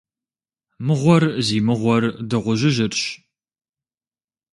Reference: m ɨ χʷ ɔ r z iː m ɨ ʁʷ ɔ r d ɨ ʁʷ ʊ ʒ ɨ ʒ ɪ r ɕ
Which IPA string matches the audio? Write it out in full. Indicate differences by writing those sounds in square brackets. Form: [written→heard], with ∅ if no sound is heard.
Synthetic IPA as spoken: m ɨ [χʷ→ʁʷ] ɔ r z iː m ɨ ʁʷ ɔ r d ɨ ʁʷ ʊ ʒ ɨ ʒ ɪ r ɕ